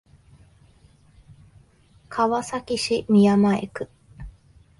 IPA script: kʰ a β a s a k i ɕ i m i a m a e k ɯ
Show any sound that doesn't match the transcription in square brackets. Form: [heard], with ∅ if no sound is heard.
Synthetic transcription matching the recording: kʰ a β a s a k i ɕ i m i a m a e k ɯ